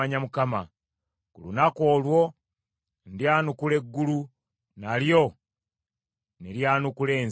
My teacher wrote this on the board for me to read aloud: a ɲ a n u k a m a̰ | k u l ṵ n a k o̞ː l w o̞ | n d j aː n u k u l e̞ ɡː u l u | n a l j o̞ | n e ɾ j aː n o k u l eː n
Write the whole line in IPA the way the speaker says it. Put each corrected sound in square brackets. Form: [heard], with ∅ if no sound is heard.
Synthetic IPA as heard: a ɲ a [m] u k a m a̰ | k u l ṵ n a k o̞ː l w o̞ | n d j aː n u k u l e̞ ɡː u l u | n a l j o̞ | n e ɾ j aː n [u] k u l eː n